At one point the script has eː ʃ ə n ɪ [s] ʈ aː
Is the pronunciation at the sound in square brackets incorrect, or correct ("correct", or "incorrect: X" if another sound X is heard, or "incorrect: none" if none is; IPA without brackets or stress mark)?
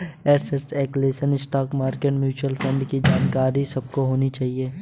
correct